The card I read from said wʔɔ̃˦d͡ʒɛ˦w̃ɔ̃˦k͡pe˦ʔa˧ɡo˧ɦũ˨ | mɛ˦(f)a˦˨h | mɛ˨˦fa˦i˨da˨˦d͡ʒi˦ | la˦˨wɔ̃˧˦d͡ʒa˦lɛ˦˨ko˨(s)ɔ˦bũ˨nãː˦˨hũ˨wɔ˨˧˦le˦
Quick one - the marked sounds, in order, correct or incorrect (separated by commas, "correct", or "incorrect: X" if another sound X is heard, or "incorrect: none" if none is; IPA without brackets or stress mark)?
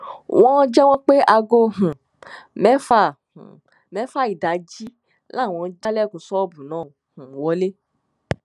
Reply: correct, correct